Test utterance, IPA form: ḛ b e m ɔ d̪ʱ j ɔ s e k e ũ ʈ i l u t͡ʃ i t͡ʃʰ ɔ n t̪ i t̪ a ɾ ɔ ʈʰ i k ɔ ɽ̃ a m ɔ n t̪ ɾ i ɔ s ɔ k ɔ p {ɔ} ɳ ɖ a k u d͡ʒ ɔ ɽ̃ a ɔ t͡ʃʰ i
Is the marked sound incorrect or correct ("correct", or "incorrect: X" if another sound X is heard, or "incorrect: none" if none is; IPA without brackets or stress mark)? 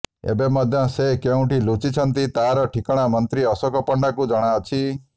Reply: correct